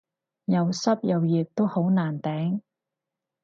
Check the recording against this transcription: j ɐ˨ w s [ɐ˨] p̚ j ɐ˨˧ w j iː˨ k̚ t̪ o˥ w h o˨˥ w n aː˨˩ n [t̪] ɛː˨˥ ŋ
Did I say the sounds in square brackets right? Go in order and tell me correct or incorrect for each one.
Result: incorrect: ɐ˥, correct

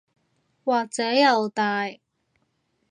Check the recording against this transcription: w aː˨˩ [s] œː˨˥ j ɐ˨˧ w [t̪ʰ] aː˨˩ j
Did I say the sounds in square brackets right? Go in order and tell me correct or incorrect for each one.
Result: incorrect: t͡s, incorrect: t̪

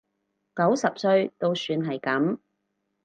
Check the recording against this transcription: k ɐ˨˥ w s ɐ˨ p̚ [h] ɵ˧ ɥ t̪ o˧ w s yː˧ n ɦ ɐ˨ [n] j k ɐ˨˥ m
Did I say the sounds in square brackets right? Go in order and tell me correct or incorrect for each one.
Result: incorrect: s, incorrect: none

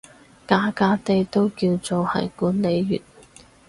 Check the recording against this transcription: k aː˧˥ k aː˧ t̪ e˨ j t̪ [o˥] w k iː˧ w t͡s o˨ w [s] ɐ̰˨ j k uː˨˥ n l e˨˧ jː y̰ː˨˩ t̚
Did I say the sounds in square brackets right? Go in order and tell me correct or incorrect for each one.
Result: correct, incorrect: h

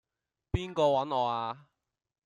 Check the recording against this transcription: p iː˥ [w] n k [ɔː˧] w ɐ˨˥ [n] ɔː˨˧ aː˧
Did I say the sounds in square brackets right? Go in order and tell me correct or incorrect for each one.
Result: incorrect: none, correct, correct

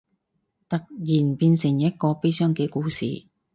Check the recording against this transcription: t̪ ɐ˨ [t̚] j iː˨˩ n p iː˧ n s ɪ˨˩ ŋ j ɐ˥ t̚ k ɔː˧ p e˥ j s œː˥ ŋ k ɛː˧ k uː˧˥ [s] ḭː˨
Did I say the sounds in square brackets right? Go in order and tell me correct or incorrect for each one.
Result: incorrect: k̚, correct

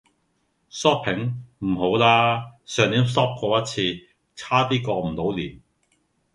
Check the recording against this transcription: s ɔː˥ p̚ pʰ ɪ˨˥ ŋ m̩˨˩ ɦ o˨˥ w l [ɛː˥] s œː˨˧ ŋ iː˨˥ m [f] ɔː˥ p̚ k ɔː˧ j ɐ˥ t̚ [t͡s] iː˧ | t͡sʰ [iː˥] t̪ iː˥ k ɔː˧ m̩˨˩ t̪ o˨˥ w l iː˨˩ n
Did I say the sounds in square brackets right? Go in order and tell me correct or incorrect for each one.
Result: incorrect: aː˥, incorrect: s, incorrect: t͡sʰ, incorrect: aː˥

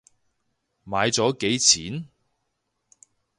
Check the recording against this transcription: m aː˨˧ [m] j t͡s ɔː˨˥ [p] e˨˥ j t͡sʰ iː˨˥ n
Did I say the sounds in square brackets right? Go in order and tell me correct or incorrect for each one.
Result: incorrect: none, incorrect: k

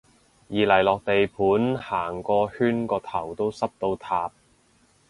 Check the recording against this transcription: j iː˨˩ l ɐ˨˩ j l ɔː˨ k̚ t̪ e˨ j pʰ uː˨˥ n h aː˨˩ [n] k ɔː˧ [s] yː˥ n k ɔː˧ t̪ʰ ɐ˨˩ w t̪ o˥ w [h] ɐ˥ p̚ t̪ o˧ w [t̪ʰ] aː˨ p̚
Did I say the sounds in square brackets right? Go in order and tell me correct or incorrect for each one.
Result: incorrect: ŋ, incorrect: h, incorrect: s, correct

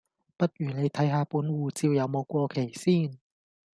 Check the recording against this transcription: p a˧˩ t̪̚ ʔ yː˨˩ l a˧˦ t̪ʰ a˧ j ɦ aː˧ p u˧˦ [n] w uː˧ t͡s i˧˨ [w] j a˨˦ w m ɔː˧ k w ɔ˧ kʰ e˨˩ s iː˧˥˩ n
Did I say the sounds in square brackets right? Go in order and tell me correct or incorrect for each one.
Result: correct, correct

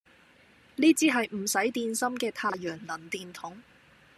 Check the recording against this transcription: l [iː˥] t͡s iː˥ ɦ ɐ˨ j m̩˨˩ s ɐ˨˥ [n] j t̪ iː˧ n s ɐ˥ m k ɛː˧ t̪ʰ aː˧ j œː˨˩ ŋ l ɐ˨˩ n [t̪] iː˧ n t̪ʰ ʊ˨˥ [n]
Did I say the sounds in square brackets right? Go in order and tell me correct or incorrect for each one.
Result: correct, incorrect: none, correct, incorrect: ŋ

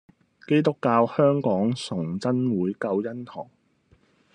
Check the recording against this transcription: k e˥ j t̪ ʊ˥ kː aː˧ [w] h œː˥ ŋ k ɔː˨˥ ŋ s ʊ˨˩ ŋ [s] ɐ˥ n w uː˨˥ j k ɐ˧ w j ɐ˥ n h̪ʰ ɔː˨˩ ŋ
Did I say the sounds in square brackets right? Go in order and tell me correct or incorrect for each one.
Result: correct, incorrect: t͡s

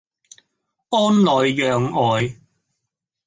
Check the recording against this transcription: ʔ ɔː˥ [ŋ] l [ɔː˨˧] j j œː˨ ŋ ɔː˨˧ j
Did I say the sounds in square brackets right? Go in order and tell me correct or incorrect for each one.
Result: incorrect: n, correct

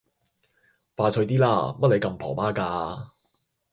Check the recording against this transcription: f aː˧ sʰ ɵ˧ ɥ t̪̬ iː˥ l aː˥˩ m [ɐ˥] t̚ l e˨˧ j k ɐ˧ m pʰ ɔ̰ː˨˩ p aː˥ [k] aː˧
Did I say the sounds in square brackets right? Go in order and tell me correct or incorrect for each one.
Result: correct, correct

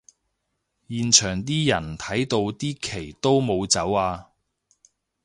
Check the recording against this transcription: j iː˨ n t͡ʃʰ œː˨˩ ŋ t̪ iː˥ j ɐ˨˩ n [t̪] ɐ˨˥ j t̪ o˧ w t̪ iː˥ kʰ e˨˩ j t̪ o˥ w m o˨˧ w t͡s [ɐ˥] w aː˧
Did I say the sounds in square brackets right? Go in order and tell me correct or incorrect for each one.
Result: incorrect: t̪ʰ, incorrect: ɐ˨˥

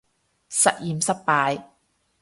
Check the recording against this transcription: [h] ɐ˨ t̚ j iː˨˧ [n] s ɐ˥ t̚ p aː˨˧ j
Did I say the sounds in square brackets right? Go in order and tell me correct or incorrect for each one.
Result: incorrect: s, incorrect: m

